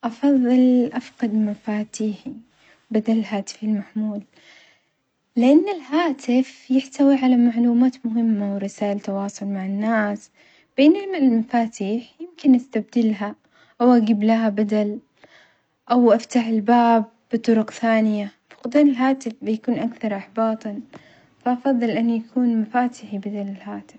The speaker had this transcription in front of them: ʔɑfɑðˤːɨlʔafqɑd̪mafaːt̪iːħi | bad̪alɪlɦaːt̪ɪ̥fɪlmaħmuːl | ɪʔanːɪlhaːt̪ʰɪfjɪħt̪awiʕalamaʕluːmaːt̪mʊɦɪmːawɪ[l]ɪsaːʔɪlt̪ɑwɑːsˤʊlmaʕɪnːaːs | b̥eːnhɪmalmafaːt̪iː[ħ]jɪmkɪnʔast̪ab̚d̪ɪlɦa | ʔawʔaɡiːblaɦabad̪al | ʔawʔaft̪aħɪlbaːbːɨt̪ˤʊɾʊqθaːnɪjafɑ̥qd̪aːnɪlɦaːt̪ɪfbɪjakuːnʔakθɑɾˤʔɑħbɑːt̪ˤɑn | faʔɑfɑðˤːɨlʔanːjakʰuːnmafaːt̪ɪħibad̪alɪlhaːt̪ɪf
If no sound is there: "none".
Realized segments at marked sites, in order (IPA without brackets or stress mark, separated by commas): ɾ, ħ